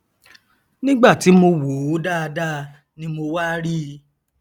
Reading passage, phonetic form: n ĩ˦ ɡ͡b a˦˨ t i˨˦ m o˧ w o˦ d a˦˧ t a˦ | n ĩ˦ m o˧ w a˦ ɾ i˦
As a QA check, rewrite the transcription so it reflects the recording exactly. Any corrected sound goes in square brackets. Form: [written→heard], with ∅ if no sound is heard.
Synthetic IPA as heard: n ĩ˦ ɡ͡b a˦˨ t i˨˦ m o˧ w [o˦→o˨˦] d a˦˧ [t→d] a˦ | n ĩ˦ m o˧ w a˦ ɾ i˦